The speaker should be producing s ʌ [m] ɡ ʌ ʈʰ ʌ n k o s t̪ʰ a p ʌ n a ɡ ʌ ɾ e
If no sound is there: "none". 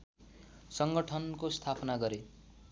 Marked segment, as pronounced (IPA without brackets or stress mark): ŋ